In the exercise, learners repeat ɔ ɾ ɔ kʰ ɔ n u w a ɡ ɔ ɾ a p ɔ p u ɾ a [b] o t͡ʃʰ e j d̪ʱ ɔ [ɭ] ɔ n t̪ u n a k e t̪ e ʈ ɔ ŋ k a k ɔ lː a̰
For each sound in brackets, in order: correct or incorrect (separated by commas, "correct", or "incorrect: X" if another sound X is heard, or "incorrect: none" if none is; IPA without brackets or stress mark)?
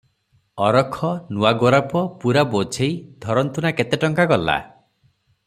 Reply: correct, incorrect: ɾ